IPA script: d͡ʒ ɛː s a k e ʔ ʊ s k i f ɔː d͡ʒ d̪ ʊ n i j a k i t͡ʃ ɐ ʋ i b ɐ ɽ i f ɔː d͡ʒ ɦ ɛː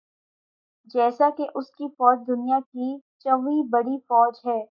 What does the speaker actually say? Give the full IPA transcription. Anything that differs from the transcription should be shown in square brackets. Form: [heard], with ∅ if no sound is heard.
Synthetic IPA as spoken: d͡ʒ ɛː s a k e ʔ ʊ s k i f ɔː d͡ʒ d̪ ʊ n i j a k i t͡ʃ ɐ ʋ i b ɐ ɽ i f ɔː d͡ʒ ɦ ɛː